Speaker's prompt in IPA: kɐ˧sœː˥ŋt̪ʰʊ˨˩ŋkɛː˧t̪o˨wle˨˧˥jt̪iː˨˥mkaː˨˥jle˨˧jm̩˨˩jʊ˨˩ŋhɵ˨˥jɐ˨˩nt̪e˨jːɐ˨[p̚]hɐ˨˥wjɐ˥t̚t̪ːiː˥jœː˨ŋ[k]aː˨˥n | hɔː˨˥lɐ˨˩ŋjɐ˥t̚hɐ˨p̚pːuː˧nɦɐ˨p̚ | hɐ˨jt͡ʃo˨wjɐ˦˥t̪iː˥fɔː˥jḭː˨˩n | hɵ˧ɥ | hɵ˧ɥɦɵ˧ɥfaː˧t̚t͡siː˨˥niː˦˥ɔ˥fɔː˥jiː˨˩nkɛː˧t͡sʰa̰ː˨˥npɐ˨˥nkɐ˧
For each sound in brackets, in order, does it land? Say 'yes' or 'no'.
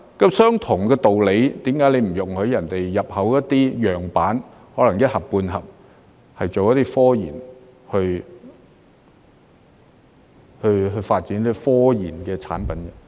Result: yes, no

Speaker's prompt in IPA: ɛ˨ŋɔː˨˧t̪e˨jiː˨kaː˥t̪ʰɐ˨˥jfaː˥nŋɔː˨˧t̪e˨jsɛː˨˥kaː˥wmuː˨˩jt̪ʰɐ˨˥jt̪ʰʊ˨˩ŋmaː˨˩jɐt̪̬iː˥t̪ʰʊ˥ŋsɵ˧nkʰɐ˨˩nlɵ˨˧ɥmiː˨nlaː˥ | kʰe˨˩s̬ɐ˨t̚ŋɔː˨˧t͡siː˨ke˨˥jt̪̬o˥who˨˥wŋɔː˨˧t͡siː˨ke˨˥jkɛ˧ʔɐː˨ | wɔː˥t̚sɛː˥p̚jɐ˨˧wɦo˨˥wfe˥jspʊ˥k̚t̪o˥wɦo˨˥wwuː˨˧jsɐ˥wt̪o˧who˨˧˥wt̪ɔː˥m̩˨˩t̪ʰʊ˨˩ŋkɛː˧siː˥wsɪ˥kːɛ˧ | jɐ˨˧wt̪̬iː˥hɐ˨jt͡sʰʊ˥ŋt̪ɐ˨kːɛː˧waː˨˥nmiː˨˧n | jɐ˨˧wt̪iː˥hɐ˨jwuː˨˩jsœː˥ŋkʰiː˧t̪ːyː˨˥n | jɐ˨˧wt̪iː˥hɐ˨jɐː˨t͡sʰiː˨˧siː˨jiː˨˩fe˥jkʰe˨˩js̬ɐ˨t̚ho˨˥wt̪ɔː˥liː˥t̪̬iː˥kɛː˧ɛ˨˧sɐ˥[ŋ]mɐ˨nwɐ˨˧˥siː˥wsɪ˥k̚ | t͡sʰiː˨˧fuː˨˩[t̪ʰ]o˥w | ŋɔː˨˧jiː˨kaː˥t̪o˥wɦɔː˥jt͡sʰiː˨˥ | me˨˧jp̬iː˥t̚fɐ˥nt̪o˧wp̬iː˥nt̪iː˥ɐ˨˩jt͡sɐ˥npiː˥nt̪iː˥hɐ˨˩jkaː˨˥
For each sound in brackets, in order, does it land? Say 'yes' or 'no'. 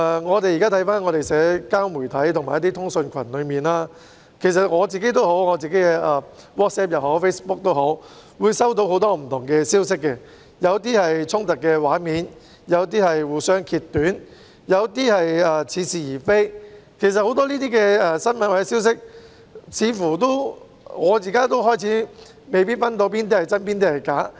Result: no, no

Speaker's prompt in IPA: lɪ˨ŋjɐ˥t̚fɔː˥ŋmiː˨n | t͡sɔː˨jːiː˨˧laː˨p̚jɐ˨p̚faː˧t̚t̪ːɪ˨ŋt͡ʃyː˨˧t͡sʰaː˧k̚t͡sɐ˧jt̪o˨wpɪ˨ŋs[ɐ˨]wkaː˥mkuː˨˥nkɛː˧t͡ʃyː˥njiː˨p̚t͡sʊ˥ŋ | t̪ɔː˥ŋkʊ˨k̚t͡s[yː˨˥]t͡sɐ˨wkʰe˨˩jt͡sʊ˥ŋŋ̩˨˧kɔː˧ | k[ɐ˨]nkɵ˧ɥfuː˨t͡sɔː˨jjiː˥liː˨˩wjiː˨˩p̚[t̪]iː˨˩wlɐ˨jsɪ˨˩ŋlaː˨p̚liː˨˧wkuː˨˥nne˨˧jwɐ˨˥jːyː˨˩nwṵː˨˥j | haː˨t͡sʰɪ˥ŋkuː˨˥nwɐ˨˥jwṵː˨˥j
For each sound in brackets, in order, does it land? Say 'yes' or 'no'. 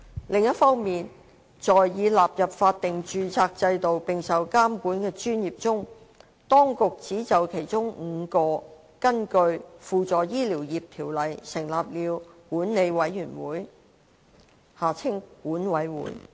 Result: yes, no, no, no

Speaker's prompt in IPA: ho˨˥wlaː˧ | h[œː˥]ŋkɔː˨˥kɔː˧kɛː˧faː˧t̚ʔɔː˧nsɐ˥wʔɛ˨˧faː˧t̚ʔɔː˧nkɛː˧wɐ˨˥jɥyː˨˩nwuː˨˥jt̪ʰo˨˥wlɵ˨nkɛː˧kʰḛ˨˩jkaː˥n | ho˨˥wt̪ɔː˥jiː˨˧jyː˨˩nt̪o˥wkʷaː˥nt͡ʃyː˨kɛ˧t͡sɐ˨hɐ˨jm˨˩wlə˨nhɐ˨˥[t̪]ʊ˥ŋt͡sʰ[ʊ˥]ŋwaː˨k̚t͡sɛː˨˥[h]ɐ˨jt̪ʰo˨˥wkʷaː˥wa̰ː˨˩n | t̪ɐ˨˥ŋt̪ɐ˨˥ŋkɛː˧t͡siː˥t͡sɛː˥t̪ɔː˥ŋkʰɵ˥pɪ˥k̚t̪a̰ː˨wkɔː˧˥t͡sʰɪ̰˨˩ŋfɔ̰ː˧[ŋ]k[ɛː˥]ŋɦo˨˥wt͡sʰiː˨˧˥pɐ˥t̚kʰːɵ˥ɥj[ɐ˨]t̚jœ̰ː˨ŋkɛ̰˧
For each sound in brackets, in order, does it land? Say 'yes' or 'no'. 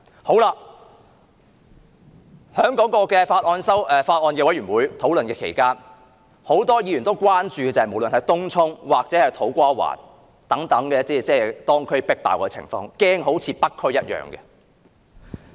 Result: no, yes, yes, yes, yes, yes, no

